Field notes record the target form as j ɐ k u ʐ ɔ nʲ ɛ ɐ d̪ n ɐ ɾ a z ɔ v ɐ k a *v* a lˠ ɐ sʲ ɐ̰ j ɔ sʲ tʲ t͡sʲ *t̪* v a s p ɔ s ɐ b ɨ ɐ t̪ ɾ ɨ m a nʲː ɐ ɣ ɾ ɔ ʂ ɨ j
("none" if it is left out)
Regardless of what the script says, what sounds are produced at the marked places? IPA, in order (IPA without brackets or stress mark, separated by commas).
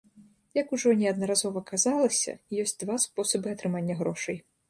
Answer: z, d̪